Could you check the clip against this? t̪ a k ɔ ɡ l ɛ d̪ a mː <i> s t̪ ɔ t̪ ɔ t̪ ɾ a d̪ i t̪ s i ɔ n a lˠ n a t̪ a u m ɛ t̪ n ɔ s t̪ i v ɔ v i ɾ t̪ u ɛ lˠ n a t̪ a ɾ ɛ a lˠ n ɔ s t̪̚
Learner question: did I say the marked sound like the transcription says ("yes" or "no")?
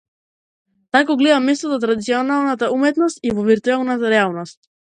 no